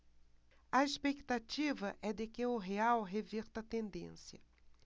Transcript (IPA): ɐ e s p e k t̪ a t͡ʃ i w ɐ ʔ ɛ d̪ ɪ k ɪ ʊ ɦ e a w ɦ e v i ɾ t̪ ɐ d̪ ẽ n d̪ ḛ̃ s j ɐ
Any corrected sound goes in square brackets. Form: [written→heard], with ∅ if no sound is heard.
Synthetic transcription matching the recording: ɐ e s p e k t̪ a t͡ʃ i [w→v] ɐ ʔ ɛ d̪ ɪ k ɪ ʊ ɦ e a w ɦ e v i ɾ t̪ ɐ [d̪→t̪] ẽ n d̪ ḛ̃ s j ɐ